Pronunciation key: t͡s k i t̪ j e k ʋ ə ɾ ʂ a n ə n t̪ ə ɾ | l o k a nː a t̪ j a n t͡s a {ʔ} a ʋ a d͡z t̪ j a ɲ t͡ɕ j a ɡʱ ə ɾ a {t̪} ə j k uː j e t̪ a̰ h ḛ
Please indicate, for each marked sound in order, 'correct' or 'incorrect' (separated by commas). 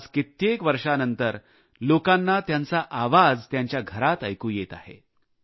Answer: correct, correct